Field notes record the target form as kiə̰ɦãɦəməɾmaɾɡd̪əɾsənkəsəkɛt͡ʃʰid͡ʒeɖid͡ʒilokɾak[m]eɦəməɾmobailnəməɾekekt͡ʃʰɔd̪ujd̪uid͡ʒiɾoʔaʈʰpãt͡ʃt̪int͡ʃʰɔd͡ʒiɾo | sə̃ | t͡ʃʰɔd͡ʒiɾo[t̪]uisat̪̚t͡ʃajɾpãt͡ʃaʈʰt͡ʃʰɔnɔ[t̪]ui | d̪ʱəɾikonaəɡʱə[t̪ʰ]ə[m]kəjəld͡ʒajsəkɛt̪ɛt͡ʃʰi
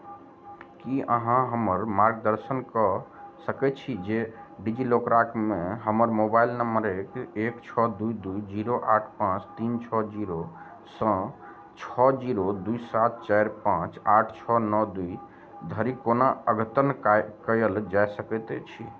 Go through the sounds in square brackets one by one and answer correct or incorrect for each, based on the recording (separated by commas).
correct, incorrect, incorrect, incorrect, incorrect